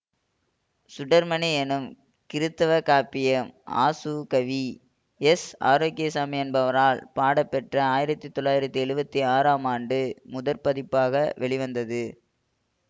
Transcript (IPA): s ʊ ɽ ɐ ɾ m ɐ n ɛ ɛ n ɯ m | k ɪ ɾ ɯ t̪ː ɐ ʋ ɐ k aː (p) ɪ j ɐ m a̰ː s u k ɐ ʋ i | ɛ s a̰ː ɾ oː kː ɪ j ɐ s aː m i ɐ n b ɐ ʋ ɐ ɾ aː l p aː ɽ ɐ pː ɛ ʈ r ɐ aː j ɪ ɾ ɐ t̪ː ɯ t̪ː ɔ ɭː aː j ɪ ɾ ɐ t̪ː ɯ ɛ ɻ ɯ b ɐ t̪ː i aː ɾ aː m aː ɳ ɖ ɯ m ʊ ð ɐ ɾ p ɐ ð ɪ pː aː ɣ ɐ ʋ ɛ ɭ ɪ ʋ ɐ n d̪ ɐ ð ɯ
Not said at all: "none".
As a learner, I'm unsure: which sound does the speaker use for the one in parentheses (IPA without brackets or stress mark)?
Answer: p